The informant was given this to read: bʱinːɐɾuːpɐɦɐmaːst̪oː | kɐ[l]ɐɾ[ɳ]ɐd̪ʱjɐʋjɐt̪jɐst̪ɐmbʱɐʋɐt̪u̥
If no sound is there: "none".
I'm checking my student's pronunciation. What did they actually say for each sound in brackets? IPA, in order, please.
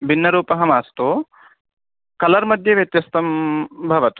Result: l, m

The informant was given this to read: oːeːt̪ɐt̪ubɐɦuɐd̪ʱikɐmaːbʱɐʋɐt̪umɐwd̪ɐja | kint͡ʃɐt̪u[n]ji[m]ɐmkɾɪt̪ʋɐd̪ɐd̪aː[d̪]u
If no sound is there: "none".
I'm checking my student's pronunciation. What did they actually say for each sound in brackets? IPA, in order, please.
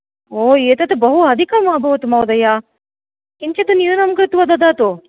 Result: n, n, t̪

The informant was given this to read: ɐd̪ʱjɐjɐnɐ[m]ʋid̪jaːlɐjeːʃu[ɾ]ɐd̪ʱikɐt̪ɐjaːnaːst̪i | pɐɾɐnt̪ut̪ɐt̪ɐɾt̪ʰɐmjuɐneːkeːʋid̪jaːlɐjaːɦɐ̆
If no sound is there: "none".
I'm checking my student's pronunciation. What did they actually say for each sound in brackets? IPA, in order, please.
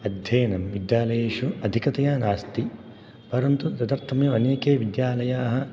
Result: m, none

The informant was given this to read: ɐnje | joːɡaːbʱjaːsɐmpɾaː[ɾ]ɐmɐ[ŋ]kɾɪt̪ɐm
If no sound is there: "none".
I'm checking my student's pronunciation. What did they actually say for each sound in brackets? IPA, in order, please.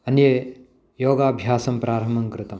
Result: ɾ, ŋ

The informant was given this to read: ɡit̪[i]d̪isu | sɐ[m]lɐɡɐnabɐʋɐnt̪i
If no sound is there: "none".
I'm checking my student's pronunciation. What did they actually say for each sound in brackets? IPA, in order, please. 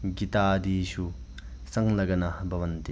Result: a, ŋ

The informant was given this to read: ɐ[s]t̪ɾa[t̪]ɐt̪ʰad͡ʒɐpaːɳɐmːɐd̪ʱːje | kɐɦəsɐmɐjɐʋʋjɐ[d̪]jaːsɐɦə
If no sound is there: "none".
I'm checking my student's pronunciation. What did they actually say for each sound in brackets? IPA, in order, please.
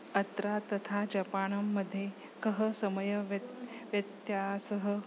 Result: none, t̪, t̪

